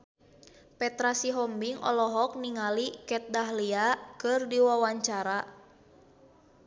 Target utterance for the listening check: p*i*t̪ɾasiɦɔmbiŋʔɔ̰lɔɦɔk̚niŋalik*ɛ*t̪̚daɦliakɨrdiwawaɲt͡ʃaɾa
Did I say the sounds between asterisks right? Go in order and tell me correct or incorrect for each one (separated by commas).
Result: incorrect, correct